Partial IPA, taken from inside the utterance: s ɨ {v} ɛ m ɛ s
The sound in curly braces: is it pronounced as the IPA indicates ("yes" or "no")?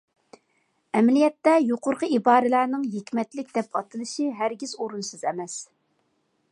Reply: no